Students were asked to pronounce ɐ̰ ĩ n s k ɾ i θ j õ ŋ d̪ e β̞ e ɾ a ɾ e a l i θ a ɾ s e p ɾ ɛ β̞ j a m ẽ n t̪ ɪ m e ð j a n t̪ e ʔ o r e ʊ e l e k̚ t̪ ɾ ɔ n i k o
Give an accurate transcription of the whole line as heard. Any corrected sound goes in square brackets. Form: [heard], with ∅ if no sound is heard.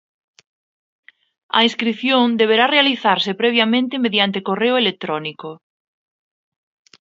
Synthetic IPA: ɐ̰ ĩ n s k ɾ i θ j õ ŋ d̪ e β̞ e ɾ a [r] e a l i θ a ɾ s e p ɾ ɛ β̞ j a m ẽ n t̪ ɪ m e ð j a n t̪ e [k] o r e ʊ e l e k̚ t̪ ɾ ɔ n i k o